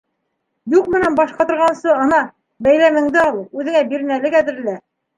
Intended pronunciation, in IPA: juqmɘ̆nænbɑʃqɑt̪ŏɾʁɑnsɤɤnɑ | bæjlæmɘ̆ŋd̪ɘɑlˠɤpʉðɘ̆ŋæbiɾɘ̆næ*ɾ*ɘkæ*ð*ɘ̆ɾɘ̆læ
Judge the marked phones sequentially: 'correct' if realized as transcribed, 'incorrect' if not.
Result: incorrect, correct

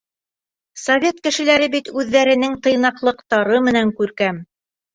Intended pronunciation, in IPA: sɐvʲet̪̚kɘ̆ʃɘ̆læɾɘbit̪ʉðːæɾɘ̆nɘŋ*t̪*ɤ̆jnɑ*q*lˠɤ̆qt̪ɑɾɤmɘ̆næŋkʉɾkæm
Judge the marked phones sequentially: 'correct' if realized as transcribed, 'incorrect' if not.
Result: correct, correct

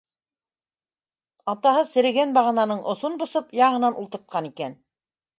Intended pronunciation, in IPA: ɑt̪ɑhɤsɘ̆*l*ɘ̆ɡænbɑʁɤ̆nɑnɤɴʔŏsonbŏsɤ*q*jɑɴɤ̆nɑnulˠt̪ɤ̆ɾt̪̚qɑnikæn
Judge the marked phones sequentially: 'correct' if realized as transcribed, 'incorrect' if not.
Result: incorrect, incorrect

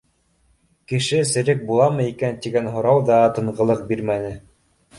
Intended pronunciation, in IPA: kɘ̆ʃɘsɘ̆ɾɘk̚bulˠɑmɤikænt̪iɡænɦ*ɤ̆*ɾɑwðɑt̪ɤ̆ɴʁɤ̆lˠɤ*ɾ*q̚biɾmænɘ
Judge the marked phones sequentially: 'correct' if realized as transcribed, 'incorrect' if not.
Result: incorrect, incorrect

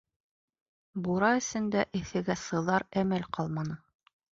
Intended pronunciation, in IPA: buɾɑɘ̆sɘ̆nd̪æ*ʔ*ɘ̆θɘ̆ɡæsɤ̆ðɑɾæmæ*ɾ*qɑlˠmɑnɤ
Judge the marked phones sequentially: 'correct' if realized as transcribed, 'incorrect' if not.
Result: correct, incorrect

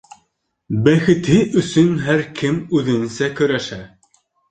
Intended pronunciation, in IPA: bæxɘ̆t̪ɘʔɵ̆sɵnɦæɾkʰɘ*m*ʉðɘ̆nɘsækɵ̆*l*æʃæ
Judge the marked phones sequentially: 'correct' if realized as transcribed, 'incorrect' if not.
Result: correct, incorrect

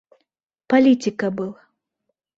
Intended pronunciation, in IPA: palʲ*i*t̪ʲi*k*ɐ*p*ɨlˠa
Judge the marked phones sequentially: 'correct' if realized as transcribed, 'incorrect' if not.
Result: correct, correct, incorrect

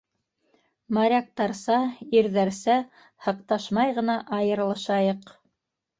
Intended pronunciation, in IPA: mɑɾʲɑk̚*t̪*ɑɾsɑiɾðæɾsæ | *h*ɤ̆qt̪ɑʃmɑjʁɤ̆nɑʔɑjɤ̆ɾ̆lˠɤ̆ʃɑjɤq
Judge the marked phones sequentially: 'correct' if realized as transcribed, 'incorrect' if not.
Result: correct, correct

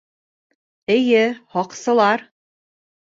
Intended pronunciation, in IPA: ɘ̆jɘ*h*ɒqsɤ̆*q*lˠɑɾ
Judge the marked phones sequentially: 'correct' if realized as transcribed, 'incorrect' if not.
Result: correct, incorrect

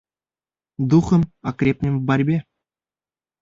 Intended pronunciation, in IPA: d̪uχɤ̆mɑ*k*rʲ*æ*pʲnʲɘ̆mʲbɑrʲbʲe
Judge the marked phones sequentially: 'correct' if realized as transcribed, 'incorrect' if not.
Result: correct, incorrect

